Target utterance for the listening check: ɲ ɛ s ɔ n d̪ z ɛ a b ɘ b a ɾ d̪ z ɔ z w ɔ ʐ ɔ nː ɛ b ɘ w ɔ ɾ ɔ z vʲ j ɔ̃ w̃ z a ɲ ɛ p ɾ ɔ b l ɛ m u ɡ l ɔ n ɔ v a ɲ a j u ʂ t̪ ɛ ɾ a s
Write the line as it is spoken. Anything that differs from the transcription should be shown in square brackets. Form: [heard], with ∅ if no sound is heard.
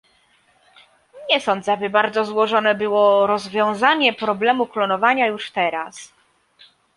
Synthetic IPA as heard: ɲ ɛ s ɔ n d̪ z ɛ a b ɘ b a ɾ d̪ z ɔ z w ɔ ʐ ɔ [n] ɛ b ɘ w ɔ ɾ ɔ z vʲ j ɔ̃ w̃ z a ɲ ɛ p ɾ ɔ b l ɛ m u [k] l ɔ n ɔ v a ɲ a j u ʂ t̪ ɛ ɾ a s